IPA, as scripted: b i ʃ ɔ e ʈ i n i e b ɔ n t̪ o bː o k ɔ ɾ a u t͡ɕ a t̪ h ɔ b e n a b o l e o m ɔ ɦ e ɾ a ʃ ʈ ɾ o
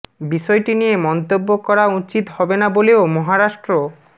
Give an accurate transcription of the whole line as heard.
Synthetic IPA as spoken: b i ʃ ɔ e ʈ i n i e m ɔ n t̪ o bː o k ɔ ɾ a u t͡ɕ i t̪ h ɔ b e n a b o l e o m ɔ ɦ a ɾ a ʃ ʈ ɾ o

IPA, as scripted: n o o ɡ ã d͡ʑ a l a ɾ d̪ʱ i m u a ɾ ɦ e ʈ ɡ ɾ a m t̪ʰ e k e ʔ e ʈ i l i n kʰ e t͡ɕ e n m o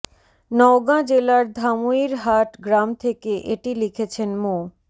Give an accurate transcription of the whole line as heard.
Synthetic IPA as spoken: n ɔ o ɡ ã d͡ʑ e l a ɾ d̪ʱ a m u i ɾ ɦ a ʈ ɡ ɾ a m t̪ʰ e k e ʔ e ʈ i l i kʰ e t͡ɕʰ e n m o

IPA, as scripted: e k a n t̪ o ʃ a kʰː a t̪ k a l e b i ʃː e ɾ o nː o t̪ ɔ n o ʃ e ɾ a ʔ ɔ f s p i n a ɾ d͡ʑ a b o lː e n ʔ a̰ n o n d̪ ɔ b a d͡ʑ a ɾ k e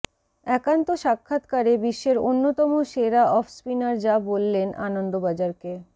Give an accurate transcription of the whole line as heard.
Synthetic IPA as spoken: ɛ k a n t̪ o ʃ a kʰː a t̪ k a ɾ e b i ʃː e ɾ o nː o t̪ ɔ m o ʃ e ɾ a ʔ ɔ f s p i n a ɾ d͡ʑ a b o lː e n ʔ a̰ n o n d̪ o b a d͡ʑ a ɾ k e

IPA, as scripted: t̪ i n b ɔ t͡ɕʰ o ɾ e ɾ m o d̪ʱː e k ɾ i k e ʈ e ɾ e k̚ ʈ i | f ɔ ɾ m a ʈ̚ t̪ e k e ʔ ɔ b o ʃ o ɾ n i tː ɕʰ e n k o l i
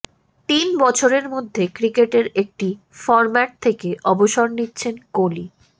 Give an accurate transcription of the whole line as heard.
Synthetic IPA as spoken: t̪ i n b ɔ t͡ɕʰ o ɾ e ɾ m o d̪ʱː e k ɾ i k e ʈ e ɾ e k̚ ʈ i | f ɔ ɾ m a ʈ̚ t̪ʰ e k e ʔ ɔ b o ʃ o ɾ n i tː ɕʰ e n k o l i

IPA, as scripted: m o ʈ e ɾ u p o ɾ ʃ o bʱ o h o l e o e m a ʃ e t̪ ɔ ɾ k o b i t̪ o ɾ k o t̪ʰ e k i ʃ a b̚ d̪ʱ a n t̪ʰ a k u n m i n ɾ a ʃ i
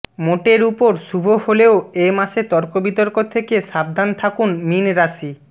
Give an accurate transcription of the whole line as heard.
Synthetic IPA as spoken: m o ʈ e ɾ u p o ɾ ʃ u bʱ o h o l e o e m a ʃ e t̪ ɔ ɾ k o b i t̪ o ɾ k o t̪ʰ e k e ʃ a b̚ d̪ʱ a n t̪ʰ a k u n m i n ɾ a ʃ i

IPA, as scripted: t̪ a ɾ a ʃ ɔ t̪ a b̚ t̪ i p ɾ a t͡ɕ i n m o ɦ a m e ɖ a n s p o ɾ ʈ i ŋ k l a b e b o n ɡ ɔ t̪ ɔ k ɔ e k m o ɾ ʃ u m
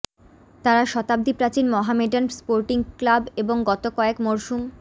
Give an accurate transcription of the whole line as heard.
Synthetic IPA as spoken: t̪ a ɾ a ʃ ɔ t̪ a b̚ d̪ i p ɾ a t͡ɕ i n m ɔ ɦ a m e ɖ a n s p o ɾ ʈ i ŋ k l a b e b o ŋ ɡ ɔ t̪ o k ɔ e k m o ɾ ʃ u m

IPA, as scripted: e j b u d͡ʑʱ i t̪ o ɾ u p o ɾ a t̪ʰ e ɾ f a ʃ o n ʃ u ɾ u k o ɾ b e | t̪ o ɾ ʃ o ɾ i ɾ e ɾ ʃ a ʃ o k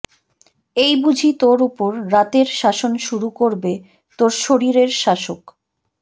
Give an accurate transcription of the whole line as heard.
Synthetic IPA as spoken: e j b u d͡ʑʱ i t̪ o ɾ u p o ɾː a t̪ e ɾ ʃ a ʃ o n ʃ u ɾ u k o ɾ b e | t̪ o ɾ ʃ o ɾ i ɾ e ɾ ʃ a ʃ o k

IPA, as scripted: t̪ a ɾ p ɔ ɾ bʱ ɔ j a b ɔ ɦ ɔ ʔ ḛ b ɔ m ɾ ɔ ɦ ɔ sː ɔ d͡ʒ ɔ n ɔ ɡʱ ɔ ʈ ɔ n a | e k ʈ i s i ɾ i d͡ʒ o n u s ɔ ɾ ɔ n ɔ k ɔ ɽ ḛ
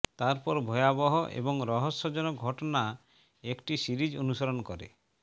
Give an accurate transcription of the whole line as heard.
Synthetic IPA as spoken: t̪ a ɾ p ɔ ɾ bʱ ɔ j a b ɔ ɦ ɔ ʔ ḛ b ɔ ŋ ɾ ɔ ɦ ɔ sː ɔ d͡ʒ ɔ n ɔ ɡʱ ɔ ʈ ɔ n a | e k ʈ i s i ɾ i d͡ʒ o n u s ɔ ɾ ɔ n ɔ k ɔ ɾ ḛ

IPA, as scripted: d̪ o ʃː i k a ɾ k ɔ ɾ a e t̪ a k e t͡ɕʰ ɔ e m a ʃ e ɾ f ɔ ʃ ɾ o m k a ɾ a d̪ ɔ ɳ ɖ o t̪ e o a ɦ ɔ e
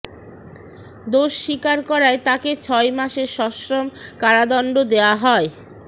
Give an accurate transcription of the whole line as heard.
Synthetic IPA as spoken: d̪ o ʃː i k a ɾ k ɔ ɾ a e t̪ a k e t͡ɕʰ ɔ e m a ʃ e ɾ ʃ ɔ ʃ ɾ o m k a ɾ a d̪ ɔ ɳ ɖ o d̪ e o a ɦ ɔ e

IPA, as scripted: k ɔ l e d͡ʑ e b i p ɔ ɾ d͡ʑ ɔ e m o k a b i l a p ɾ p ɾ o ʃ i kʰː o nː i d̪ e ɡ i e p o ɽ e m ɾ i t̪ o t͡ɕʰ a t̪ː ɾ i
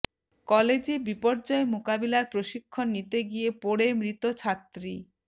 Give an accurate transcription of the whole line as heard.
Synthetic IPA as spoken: k ɔ l e d͡ʑ e b i p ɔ ɾ d͡ʑ ɔ e m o k a b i l a ɾ p ɾ o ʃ i kʰː o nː i t̪ e ɡ i e p o ɽ e m ɾ i t̪ o t͡ɕʰ a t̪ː ɾ i

